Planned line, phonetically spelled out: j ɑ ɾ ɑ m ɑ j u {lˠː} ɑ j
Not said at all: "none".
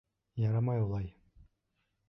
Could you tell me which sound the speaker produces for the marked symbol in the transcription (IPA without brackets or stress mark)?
lˠ